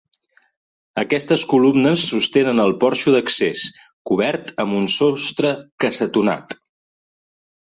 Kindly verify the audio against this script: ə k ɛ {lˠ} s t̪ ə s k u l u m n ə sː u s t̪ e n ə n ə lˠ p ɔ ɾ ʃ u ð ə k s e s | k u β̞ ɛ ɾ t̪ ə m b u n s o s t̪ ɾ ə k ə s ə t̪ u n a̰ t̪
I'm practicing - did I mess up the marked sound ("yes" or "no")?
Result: yes